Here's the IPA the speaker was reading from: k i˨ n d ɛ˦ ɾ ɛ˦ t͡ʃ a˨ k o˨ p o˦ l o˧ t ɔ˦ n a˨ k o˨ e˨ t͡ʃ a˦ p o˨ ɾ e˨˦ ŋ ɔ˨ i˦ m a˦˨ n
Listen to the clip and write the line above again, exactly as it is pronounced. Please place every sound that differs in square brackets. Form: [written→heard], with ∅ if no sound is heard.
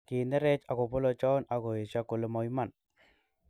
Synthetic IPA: k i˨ n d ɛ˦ ɾ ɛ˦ t͡ʃ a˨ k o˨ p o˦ l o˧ [t→t͡ʃ] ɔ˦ n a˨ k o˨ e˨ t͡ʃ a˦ [p→k] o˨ [ɾ→l] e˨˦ [ŋ→m] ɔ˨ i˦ m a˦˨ n